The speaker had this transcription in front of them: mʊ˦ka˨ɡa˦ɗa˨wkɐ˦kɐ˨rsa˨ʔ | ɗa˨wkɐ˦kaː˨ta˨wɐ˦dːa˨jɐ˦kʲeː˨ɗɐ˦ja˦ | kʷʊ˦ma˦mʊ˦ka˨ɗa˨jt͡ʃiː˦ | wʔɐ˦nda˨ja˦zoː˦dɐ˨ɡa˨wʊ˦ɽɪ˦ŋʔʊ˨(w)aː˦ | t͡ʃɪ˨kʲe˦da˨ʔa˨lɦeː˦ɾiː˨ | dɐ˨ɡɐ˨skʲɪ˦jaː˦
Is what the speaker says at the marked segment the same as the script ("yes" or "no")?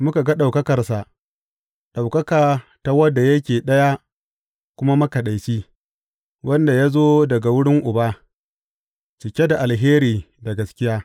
no